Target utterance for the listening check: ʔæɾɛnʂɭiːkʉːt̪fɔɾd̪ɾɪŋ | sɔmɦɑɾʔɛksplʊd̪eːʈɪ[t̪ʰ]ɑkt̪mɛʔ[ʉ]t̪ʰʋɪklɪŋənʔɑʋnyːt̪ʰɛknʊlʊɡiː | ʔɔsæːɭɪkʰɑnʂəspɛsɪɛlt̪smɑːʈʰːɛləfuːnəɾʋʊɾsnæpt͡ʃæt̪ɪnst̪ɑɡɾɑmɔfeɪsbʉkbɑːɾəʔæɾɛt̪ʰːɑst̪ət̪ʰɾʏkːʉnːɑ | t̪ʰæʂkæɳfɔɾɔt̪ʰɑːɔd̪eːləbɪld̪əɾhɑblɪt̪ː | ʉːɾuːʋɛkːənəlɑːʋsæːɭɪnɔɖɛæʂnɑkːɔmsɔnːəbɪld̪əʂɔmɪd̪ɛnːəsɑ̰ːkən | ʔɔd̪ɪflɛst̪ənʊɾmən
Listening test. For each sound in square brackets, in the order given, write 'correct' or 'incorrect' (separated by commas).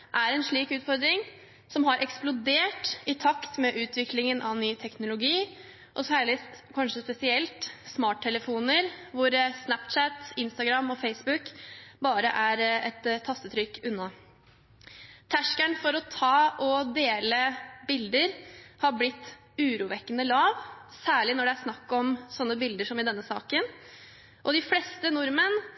correct, incorrect